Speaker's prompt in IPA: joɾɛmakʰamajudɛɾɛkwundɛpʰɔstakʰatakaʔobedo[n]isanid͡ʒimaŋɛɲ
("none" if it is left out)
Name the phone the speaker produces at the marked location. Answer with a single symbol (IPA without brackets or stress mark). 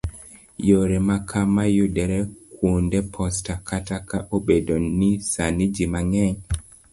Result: n